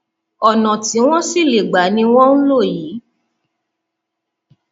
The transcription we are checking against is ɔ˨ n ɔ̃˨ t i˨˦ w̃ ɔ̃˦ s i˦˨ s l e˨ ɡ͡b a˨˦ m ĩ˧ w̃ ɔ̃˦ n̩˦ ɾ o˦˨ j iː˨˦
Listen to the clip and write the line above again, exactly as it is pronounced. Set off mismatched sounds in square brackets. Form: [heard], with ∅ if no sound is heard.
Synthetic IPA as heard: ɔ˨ n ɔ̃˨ t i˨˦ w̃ ɔ̃˦ s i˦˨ [∅] l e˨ ɡ͡b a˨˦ [n] ĩ˧ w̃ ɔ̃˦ n̩˦ [l] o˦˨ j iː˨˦